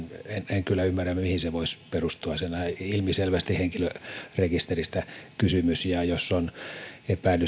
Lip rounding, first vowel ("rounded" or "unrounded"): unrounded